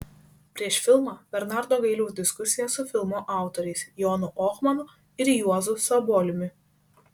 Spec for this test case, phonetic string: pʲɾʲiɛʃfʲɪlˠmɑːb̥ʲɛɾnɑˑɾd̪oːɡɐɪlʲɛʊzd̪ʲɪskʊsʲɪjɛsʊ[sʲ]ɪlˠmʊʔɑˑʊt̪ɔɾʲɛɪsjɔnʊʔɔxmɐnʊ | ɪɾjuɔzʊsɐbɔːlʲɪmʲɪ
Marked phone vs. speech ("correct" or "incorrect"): incorrect